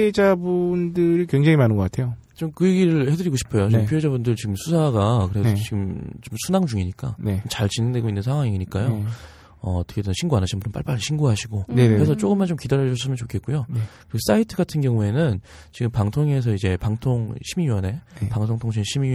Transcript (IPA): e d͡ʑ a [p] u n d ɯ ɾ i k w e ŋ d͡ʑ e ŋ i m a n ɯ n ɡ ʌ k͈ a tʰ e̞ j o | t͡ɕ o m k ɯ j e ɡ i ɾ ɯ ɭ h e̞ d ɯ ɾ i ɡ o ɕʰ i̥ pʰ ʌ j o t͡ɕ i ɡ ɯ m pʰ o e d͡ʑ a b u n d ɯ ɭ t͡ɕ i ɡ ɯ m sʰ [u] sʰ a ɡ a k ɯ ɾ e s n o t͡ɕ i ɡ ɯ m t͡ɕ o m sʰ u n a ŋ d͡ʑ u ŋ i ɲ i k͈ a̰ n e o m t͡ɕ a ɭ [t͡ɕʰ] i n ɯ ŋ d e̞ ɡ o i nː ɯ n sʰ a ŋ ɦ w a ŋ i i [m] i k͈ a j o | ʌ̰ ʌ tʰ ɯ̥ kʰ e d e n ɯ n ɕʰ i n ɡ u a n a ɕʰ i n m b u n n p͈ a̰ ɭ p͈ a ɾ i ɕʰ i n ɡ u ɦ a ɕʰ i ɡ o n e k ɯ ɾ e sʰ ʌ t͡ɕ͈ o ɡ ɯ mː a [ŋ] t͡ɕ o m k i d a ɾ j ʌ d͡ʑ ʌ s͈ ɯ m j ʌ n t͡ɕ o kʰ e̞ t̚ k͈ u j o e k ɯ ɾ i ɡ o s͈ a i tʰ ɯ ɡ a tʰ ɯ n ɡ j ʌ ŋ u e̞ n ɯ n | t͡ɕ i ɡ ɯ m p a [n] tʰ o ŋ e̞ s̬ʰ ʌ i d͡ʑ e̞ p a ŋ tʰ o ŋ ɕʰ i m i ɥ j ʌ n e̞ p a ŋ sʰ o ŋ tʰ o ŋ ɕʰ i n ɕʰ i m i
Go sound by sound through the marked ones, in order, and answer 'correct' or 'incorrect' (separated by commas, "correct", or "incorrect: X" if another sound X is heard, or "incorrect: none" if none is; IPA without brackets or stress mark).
incorrect: b, correct, incorrect: t͡ɕ, incorrect: ɲ, incorrect: n, incorrect: ŋ